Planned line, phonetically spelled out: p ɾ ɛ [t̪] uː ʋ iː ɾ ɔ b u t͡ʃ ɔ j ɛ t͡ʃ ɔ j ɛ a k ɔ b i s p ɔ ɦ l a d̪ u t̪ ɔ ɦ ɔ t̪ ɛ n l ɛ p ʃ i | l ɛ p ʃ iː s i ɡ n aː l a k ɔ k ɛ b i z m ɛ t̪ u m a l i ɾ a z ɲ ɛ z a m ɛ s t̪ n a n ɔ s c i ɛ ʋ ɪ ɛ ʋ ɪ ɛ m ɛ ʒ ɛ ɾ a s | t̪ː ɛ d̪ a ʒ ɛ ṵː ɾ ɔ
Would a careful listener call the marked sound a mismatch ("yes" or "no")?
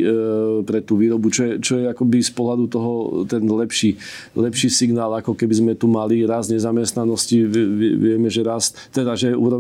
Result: no